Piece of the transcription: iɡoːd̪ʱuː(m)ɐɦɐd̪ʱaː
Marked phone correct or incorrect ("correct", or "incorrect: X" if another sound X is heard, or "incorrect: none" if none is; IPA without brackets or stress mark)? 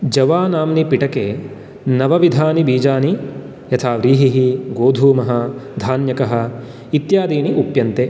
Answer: correct